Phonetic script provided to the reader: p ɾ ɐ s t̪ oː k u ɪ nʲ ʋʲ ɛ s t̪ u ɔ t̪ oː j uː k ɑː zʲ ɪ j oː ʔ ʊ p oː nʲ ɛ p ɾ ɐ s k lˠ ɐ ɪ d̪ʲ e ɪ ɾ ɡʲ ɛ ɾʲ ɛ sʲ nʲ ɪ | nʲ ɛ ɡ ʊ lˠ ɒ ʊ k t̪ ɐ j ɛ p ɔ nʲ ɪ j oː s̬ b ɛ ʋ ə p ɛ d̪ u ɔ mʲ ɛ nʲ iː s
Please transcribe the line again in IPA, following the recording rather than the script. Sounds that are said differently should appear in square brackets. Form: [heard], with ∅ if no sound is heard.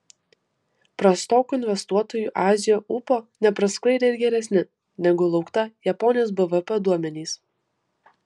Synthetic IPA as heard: p ɾ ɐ s t̪ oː k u ɪ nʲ ʋʲ ɛ s t̪ u ɔ t̪ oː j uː [ʔ] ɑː zʲ ɪ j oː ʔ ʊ p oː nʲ ɛ p ɾ ɐ s k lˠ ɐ ɪ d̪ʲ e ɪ ɾ ɡʲ ɛ ɾʲ ɛ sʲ nʲ ɪ | nʲ ɛ ɡ ʊ lˠ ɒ ʊ k t̪ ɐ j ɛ p ɔ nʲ ɪ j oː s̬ b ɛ ʋ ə p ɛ d̪ u ɔ mʲ ɛ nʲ iː s